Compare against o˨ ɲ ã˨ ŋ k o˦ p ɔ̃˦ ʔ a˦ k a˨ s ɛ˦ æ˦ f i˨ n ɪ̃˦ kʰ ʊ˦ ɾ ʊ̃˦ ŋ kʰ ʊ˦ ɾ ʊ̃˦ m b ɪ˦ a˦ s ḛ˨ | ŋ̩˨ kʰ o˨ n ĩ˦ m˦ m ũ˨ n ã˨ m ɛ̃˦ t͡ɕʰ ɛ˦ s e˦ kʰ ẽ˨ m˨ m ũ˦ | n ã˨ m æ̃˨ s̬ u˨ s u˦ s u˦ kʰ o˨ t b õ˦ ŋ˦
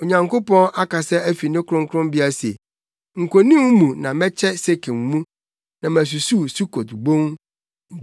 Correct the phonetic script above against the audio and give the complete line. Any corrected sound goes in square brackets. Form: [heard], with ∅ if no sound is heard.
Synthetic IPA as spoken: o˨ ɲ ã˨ ŋ k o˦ p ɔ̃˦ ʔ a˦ k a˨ s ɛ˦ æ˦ f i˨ n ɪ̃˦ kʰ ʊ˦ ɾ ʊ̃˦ ŋ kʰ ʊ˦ ɾ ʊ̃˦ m b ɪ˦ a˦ s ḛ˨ | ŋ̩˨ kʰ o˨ n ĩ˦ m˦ m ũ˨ n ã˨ m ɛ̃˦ t͡ɕʰ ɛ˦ s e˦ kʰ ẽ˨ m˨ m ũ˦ | n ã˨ m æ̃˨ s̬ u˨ s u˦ s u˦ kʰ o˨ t b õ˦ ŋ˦